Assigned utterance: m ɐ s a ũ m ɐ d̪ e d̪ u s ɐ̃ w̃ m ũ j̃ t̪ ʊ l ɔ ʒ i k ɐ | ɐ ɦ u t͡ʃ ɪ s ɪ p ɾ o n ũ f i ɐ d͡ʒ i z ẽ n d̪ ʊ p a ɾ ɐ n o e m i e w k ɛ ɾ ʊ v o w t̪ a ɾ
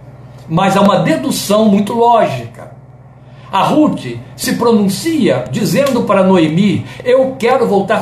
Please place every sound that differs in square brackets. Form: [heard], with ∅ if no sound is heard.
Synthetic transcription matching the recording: m ɐ [z] a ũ m ɐ d̪ e d̪ u s ɐ̃ w̃ m ũ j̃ t̪ ʊ l ɔ ʒ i k ɐ | ɐ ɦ u t͡ʃ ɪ s ɪ p ɾ o n ũ [s] i ɐ d͡ʒ i z ẽ n d̪ ʊ p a ɾ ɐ n o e m i e w k ɛ ɾ ʊ v o w t̪ a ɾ